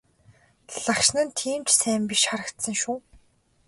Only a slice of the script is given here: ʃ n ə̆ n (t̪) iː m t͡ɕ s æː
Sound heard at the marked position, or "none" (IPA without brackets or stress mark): t̪ʰ